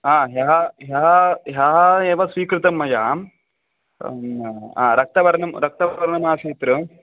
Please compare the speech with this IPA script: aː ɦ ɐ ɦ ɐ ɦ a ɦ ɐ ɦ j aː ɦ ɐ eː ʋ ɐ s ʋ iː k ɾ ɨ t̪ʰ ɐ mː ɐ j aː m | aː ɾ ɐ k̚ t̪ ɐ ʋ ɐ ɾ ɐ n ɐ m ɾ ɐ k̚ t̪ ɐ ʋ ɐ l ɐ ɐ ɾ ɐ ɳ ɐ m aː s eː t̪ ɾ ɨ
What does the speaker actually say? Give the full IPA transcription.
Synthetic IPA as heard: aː ɦ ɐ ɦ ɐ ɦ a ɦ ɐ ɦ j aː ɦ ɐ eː ʋ ɐ s ʋ iː k ɾ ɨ t̪ ɐ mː ɐ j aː m | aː ɾ ɐ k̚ t̪ ɐ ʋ ɐ ɾ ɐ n ɐ m ɾ ɐ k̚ t̪ ɐ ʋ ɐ ɾ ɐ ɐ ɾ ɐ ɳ ɐ m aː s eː t̪ ɾ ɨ